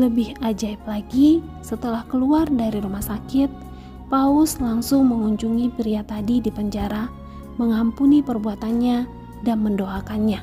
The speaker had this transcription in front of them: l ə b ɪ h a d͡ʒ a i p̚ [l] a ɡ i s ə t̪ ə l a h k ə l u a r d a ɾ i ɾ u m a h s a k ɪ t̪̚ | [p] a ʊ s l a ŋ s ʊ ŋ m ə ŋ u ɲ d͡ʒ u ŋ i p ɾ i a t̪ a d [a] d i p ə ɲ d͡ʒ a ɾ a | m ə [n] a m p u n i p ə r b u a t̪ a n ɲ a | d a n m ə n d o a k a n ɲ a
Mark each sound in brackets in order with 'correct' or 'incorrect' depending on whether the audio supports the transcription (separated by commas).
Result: correct, correct, incorrect, incorrect